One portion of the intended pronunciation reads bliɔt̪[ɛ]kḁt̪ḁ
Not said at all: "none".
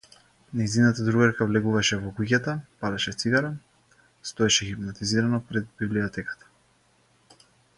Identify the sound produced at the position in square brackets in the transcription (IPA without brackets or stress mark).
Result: ɛ